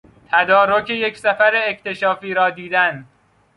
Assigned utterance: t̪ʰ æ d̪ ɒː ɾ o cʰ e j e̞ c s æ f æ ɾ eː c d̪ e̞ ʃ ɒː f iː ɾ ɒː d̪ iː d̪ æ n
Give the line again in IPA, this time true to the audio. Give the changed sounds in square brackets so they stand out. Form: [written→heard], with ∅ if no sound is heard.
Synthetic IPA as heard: t̪ʰ æ d̪ ɒː ɾ o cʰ e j e̞ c s æ f æ ɾ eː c [d̪→t̪] e̞ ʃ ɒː f iː ɾ ɒː d̪ iː d̪ æ n

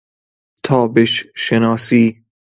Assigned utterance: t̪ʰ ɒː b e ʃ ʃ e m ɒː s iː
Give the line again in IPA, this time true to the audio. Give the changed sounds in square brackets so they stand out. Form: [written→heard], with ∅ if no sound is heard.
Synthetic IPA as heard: t̪ʰ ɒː b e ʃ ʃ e [m→n] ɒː s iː

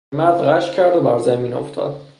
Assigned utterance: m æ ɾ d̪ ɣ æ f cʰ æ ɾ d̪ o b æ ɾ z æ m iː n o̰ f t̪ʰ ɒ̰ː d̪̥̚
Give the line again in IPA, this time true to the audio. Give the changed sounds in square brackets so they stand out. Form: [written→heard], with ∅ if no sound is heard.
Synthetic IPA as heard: m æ ɾ d̪ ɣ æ [f→ʃ] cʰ æ ɾ d̪ o b æ ɾ z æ m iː n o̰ f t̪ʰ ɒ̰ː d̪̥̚

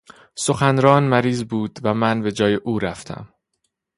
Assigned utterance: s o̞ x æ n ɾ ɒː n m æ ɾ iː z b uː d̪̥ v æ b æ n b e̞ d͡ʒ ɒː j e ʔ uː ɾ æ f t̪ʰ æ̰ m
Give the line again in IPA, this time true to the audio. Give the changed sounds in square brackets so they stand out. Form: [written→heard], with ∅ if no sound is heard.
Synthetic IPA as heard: s o̞ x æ n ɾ ɒː n m æ ɾ iː z b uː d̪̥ v æ [b→m] æ n b e̞ d͡ʒ ɒː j e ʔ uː ɾ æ f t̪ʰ æ̰ m

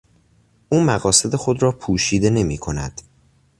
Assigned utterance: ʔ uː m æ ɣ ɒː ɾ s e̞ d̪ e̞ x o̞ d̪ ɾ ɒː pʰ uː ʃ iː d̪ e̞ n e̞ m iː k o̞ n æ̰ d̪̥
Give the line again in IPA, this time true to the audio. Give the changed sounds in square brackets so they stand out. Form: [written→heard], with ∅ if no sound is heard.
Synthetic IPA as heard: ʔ uː m æ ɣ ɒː [ɾ→∅] s e̞ d̪ e̞ x o̞ d̪ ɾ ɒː pʰ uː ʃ iː d̪ e̞ n e̞ m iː [k→kʰ] o̞ n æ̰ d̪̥

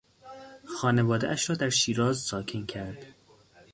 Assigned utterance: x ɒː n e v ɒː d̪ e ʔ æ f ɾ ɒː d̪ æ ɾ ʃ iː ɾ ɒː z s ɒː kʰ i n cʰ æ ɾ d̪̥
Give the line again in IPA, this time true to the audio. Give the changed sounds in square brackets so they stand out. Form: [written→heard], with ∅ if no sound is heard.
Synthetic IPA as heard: x ɒː n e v ɒː d̪ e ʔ æ [f→ʃ] ɾ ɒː d̪ æ ɾ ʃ iː ɾ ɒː z s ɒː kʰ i n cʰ æ ɾ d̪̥

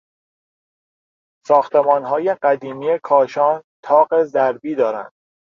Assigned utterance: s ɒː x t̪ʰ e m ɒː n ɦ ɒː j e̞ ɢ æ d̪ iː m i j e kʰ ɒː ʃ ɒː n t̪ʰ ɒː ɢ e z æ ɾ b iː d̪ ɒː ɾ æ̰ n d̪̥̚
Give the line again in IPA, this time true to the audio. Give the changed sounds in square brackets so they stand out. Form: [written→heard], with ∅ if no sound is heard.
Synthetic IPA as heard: s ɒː x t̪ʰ e m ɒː n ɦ ɒː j e̞ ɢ æ d̪ iː m i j e kʰ ɒː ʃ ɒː n t̪ʰ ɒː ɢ e z æ ɾ b iː d̪ ɒː ɾ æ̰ n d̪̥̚

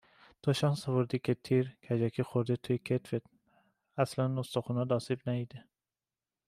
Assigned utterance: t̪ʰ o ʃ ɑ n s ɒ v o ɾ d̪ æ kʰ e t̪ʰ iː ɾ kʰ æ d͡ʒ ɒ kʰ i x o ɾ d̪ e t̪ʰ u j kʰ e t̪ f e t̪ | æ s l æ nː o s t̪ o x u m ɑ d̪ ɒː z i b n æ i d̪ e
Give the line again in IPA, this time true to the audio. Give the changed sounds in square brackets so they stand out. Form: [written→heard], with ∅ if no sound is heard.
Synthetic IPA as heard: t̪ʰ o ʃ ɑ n s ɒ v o ɾ d̪ [æ→i] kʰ e t̪ʰ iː ɾ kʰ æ d͡ʒ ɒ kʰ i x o ɾ d̪ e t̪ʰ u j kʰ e t̪ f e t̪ | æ s l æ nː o s t̪ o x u [m→n] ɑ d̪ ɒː [z→s] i b n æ i d̪ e

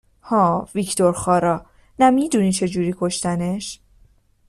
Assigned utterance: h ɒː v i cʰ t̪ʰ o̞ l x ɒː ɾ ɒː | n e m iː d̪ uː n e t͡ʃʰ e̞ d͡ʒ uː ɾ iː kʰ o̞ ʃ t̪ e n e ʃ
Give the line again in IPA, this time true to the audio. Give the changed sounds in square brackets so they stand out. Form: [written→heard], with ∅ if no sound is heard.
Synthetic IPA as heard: h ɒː v i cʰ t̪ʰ o̞ [l→ɾ] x ɒː ɾ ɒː | n [e→æ] m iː d̪ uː n [e→i] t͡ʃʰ e̞ d͡ʒ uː ɾ iː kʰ o̞ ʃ t̪ [e→æ] n e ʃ

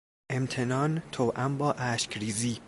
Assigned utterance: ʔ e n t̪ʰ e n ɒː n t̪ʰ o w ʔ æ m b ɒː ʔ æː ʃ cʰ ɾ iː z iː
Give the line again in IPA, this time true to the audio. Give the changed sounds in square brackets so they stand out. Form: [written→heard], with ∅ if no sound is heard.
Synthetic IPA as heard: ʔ e [n→m] t̪ʰ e n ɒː n t̪ʰ o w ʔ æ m b ɒː ʔ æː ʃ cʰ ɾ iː z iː

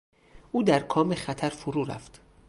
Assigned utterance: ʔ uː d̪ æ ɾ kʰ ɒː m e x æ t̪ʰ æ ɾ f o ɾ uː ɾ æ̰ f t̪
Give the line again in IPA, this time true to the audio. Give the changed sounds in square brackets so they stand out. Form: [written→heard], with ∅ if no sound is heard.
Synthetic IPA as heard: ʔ uː d̪ æ ɾ kʰ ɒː m e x æ t̪ʰ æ ɾ f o ɾ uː ɾ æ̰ f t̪

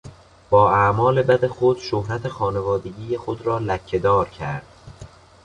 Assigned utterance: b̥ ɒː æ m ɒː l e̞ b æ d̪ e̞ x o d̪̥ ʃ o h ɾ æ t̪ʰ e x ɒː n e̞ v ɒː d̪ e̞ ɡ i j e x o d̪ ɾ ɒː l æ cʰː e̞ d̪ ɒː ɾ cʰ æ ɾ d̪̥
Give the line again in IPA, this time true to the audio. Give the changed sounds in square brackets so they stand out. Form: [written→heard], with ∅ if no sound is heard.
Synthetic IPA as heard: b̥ ɒː æ m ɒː l e̞ b æ d̪ e̞ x o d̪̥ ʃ o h ɾ æ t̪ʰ e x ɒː n e̞ v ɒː d̪ e̞ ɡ i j e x o d̪ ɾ ɒː l æ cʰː e̞ d̪ ɒː ɾ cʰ æ ɾ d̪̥

